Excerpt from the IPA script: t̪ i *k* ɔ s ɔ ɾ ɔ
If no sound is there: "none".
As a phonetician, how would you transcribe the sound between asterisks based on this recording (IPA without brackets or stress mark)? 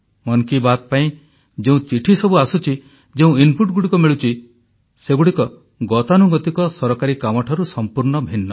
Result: k